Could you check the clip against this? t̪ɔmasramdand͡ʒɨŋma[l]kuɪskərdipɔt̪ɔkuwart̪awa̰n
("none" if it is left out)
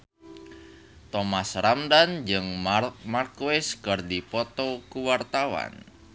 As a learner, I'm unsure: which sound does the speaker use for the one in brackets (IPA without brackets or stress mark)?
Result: r